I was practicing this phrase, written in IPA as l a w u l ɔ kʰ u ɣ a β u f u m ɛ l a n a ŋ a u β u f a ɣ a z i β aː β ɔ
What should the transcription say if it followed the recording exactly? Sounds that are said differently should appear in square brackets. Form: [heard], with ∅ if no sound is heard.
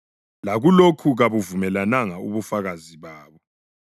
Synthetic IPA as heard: l a [ɣ] u l [o] kʰ u ɣ a β u [v] u m ɛ l a n a ŋ a u β u f a ɣ a z i β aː β ɔ